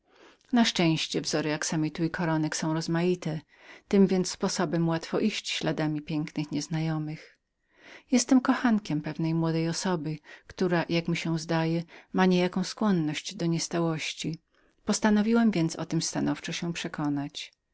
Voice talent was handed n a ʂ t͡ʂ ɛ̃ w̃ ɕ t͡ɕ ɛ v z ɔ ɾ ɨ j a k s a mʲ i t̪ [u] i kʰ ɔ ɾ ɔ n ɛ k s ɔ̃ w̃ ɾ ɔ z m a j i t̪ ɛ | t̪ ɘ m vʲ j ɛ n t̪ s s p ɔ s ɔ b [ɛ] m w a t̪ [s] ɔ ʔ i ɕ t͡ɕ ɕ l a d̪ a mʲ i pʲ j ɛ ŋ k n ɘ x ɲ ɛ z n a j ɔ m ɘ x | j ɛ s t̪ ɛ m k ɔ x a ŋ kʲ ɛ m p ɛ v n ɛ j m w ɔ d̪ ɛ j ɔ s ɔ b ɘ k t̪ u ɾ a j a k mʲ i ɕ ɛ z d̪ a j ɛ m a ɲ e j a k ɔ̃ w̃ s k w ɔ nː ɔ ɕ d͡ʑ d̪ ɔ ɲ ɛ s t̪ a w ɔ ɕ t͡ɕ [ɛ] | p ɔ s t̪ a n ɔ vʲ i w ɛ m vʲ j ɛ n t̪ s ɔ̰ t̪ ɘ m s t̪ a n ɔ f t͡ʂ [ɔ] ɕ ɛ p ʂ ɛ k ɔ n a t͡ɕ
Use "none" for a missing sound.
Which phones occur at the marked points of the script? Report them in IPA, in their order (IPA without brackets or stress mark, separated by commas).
u, ɛ, f, i, ɔ